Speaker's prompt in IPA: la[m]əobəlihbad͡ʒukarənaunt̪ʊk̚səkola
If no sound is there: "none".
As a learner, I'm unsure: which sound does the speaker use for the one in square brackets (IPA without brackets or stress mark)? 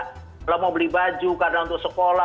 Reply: m